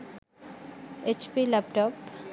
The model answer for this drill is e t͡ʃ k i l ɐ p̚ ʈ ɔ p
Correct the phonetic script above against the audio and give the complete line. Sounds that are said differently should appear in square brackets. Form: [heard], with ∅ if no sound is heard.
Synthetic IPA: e t͡ʃ [p] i l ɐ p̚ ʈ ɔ p